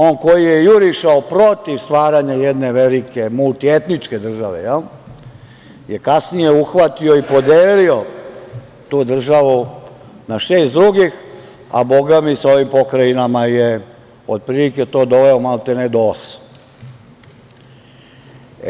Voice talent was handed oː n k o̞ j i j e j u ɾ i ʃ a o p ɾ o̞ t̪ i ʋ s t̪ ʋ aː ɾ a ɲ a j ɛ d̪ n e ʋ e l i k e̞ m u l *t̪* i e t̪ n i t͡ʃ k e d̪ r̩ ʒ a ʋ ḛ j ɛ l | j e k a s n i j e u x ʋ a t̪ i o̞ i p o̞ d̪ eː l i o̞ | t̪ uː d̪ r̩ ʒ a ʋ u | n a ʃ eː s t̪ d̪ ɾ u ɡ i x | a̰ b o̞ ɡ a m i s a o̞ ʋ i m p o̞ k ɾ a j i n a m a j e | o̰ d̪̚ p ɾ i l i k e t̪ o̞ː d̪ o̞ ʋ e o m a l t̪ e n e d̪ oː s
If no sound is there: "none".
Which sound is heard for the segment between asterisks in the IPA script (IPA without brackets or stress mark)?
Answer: t̪